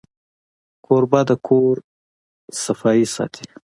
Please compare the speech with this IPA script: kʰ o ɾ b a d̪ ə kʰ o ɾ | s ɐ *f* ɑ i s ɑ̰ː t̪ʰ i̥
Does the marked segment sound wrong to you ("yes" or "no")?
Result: no